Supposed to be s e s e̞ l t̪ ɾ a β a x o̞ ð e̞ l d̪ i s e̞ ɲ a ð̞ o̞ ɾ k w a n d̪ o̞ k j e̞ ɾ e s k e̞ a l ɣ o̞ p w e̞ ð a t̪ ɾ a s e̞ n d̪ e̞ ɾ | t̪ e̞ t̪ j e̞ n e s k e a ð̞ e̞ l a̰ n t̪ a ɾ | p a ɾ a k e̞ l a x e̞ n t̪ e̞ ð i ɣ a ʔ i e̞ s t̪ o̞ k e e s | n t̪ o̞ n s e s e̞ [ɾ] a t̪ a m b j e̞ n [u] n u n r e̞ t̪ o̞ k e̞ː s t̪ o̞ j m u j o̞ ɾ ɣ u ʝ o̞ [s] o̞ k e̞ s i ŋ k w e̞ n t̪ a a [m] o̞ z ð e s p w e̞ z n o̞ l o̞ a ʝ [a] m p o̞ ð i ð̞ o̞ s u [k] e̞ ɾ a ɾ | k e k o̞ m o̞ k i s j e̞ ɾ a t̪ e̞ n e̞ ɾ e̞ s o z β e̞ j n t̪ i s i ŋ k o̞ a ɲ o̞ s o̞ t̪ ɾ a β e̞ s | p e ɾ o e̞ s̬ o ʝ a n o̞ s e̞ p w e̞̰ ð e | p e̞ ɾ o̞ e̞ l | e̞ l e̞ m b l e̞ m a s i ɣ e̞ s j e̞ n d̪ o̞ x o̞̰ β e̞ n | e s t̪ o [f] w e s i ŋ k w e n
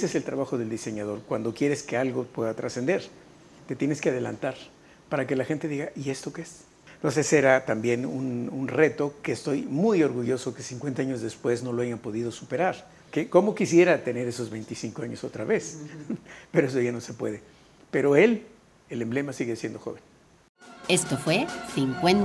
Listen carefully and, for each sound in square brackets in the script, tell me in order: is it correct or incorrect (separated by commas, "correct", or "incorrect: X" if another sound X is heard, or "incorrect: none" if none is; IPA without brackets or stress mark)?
correct, correct, correct, incorrect: ɲ, correct, incorrect: p, correct